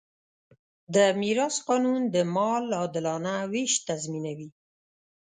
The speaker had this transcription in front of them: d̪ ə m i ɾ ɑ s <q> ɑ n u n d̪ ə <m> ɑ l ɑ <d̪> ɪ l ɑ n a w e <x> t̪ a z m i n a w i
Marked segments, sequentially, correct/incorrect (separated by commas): correct, correct, correct, incorrect